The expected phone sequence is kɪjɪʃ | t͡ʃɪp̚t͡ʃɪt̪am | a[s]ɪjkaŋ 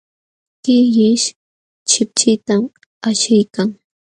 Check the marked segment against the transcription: incorrect: ʃ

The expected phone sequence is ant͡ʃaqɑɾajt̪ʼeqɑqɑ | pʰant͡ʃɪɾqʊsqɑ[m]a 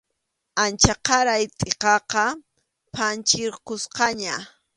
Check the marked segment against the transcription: incorrect: ɲ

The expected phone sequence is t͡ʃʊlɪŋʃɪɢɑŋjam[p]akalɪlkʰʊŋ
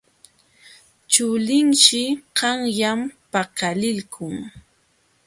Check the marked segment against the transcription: correct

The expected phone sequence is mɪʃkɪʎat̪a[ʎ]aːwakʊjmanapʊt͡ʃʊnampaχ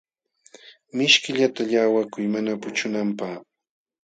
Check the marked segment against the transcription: correct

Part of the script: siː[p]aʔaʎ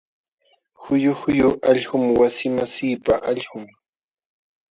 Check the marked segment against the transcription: correct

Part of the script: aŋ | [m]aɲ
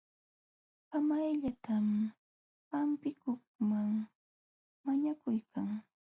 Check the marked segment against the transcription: correct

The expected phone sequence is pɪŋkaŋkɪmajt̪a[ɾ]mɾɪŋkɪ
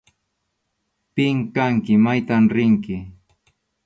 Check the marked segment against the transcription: incorrect: none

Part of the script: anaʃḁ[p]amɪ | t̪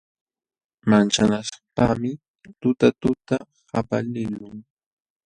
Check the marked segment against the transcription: correct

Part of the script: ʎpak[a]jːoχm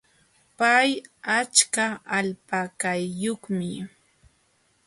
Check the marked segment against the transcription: correct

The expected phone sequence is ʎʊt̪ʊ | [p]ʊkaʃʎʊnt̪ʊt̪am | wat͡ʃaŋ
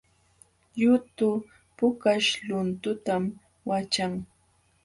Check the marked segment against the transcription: correct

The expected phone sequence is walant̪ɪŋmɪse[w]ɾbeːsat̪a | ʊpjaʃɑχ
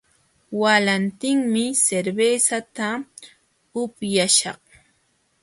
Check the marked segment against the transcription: incorrect: none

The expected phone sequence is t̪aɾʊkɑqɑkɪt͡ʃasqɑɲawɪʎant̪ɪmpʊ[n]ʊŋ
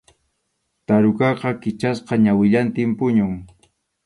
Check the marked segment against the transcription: incorrect: ɲ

